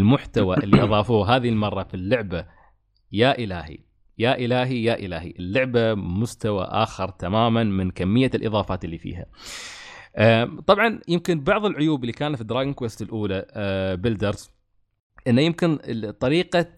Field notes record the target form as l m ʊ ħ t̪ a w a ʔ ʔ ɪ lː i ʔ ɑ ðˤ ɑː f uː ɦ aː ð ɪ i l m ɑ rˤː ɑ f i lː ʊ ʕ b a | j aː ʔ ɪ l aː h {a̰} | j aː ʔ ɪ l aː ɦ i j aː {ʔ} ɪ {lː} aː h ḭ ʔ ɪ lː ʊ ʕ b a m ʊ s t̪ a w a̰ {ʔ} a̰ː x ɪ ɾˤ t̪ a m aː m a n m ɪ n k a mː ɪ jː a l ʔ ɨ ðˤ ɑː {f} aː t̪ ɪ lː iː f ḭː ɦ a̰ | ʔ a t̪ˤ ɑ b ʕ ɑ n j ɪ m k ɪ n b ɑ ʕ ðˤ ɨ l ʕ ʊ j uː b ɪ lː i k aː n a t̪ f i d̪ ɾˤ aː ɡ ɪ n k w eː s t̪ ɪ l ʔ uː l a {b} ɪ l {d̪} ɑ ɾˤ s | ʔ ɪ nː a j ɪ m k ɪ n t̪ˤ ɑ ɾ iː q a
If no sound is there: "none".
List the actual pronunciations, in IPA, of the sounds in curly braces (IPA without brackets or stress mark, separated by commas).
ḭ, ʔ, l, ʔ, f, b, d̪